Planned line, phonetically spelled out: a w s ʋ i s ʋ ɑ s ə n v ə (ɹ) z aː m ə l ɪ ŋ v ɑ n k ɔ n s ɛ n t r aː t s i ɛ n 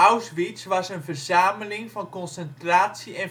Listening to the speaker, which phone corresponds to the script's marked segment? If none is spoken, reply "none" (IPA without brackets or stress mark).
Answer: r